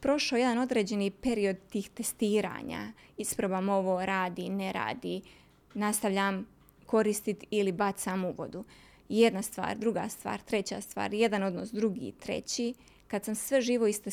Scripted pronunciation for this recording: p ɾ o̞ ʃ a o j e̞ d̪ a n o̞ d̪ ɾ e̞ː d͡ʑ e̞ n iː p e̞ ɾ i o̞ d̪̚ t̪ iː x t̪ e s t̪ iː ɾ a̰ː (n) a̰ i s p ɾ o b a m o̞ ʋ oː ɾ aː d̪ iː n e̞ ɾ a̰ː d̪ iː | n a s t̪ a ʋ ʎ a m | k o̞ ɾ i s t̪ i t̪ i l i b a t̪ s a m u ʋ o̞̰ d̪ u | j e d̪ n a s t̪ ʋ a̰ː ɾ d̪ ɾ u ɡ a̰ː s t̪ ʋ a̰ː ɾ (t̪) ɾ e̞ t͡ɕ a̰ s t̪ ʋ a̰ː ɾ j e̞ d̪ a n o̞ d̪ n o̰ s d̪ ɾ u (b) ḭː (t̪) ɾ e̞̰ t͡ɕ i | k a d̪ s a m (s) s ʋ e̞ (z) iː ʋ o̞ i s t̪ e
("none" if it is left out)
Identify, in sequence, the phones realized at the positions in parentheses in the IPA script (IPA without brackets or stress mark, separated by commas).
ɲ, t̪, ɡ, t̪, s, ʒ